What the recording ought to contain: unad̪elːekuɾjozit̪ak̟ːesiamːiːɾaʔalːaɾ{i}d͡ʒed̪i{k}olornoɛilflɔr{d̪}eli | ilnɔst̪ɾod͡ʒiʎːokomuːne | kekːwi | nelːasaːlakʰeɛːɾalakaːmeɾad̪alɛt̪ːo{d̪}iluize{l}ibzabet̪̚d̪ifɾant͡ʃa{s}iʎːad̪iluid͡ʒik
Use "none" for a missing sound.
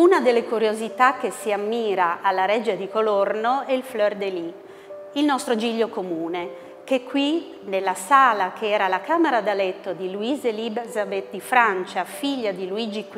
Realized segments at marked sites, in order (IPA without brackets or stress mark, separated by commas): ɛ, k, d̪, d̪, l, f